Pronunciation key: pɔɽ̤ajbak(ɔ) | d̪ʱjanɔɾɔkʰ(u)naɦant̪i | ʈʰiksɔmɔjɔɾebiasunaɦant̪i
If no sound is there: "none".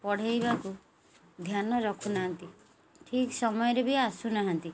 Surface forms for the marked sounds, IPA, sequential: u, u

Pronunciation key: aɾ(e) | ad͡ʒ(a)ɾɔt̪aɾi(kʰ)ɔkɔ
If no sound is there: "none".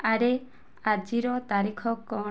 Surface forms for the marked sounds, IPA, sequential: e, i, kʰ

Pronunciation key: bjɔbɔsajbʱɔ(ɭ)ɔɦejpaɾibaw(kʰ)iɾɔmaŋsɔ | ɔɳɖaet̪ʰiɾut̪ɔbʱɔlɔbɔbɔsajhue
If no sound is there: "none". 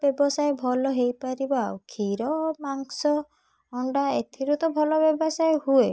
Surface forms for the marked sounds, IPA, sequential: l, kʰ

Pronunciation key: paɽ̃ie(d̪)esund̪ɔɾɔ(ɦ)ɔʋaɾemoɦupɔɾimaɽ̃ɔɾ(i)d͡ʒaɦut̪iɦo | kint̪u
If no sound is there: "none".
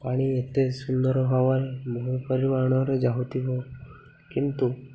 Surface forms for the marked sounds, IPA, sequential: t̪, ɦ, e

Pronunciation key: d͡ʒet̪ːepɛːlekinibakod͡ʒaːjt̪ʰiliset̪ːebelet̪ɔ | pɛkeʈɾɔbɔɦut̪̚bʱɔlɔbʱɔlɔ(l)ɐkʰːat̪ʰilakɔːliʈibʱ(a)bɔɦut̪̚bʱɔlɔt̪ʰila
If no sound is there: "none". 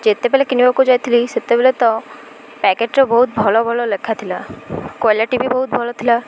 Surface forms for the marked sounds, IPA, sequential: l, i

